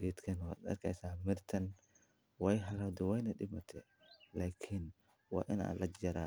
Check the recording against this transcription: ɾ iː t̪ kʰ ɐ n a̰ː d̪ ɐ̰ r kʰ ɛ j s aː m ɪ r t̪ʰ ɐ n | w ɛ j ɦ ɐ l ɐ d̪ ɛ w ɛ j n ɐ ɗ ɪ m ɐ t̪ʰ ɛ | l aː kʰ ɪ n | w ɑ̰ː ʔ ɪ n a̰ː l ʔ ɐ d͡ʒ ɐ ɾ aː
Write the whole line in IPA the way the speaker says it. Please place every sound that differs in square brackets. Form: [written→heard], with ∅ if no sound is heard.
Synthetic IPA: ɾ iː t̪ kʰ ɐ n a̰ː d̪ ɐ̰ r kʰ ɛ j s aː m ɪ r t̪ʰ ɐ n | w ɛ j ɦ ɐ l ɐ d̪ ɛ w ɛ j n ɐ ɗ ɪ m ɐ t̪ʰ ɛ | l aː kʰ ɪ n | w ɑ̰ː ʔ ɪ n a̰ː l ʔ ɐ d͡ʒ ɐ ɾ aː